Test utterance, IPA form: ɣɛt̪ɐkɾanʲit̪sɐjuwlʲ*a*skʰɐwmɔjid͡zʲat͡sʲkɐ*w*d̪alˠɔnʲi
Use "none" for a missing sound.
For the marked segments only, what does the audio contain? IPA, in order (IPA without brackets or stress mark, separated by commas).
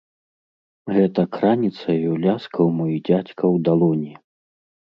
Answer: a, w